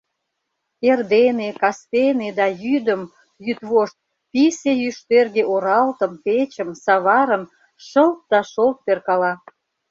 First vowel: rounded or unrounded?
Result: unrounded